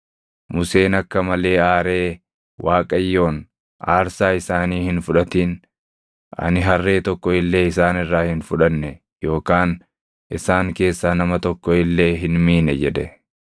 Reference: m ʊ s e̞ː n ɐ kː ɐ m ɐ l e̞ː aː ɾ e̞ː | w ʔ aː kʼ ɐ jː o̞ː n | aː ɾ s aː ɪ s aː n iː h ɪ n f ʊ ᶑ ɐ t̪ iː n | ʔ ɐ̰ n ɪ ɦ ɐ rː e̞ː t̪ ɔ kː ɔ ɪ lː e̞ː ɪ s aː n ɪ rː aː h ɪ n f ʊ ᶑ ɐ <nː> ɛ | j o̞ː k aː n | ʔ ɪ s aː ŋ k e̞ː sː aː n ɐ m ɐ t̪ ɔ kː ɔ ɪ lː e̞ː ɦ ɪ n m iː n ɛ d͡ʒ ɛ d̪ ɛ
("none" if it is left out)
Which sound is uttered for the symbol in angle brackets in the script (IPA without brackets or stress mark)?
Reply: nː